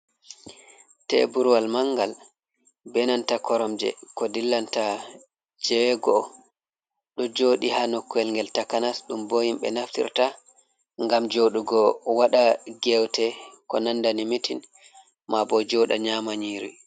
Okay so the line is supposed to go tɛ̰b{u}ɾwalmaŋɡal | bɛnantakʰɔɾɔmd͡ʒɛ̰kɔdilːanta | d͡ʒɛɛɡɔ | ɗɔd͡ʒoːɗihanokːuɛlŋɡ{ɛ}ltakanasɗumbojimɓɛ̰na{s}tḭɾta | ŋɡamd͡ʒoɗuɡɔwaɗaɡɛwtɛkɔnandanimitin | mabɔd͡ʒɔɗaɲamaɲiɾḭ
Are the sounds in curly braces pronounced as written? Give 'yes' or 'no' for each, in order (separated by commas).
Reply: yes, yes, no